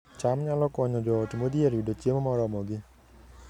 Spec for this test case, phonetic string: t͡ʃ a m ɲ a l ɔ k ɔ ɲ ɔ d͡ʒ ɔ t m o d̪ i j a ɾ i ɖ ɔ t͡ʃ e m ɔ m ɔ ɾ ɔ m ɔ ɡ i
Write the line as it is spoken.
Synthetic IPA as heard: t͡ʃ a m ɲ a l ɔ k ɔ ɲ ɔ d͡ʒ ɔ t m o d̪ i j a ɾ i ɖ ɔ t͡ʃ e m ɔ m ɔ ɾ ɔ m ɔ ɡ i